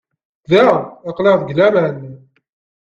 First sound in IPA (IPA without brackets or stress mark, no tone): ð